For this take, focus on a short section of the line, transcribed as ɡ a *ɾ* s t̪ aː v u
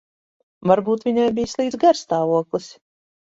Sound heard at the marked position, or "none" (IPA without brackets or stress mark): ɾ